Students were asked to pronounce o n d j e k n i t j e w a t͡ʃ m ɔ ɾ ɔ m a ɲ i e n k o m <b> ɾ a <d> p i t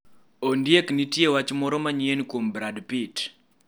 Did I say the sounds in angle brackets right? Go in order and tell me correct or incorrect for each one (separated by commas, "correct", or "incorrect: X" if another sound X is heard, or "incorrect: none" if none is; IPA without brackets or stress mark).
correct, correct